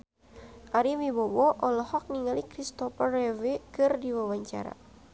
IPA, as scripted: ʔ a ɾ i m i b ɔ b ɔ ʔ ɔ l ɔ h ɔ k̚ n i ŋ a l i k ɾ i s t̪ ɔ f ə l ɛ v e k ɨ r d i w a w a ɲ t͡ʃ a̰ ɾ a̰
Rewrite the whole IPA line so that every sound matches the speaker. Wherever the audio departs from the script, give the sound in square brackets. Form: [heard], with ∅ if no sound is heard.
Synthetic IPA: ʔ a ɾ i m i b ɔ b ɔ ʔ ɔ l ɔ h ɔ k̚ n i ŋ a l i k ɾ i s t̪ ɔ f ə [r] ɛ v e k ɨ r d i w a w a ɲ t͡ʃ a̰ ɾ a̰

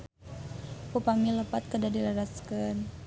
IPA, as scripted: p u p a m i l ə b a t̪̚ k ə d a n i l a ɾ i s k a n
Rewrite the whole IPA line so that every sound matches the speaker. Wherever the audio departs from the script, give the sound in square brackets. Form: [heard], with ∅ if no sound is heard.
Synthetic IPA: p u p a m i l ə [p] a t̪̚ k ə d a [d] i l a ɾ [a] s k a n

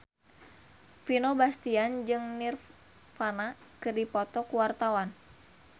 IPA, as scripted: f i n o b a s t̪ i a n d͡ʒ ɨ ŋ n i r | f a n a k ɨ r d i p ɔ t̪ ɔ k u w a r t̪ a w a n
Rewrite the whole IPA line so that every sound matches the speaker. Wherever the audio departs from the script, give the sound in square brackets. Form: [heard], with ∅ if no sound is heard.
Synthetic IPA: f i n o b a s t̪ i a n d͡ʒ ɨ ŋ n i r | f a n a k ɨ r d i p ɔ t̪ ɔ k u w a r t̪ a w a n

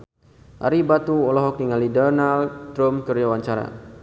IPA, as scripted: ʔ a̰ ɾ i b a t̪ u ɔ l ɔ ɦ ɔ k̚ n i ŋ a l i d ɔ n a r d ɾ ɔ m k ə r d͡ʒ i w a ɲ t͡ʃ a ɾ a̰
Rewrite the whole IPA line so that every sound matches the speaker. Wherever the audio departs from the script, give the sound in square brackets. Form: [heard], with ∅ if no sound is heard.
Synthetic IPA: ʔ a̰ ɾ i b a t̪ u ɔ l ɔ ɦ ɔ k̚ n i ŋ a l i d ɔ n a [l] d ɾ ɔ m k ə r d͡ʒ [a] w a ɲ t͡ʃ a ɾ a̰

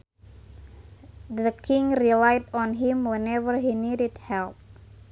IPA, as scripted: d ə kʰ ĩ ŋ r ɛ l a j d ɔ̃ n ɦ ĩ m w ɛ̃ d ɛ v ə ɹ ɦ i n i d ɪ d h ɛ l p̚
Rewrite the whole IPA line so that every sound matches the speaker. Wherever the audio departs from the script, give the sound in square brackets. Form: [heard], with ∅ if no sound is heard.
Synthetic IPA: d ə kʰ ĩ ŋ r [i] l a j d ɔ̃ n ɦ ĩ m w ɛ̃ [n] ɛ v ə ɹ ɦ i n i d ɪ d h ɛ l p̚

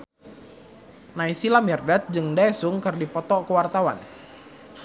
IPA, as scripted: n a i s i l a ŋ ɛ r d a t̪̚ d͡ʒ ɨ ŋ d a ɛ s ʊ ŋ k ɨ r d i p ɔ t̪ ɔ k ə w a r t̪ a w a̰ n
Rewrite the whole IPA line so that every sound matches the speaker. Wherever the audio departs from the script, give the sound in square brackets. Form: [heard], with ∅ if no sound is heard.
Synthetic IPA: n a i s i l a [m] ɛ r d a t̪̚ d͡ʒ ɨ ŋ d a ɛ s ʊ ŋ k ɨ r d i p ɔ t̪ ɔ k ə w a r t̪ a w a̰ n

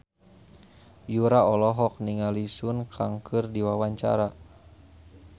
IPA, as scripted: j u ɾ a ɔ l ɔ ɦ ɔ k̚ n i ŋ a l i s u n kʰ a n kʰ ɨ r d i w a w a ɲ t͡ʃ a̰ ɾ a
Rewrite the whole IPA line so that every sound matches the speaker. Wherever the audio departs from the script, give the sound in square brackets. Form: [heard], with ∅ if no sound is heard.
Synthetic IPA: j u ɾ a ɔ l ɔ ɦ ɔ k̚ n i ŋ a l i s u n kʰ a [ŋ] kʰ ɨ r d i w a w a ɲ t͡ʃ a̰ ɾ a

